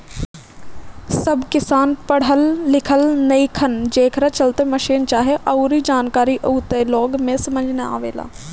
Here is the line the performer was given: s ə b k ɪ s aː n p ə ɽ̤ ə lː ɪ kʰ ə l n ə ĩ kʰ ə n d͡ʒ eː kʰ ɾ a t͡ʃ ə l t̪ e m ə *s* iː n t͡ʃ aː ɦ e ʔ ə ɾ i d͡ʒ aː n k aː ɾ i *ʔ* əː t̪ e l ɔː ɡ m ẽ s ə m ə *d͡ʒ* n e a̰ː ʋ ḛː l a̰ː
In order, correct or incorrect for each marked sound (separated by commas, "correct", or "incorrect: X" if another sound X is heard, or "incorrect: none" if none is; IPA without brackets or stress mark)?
incorrect: ʃ, correct, correct